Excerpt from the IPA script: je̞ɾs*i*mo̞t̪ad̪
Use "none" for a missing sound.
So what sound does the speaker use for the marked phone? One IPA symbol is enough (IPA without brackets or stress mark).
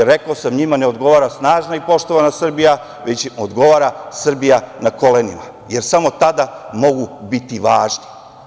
a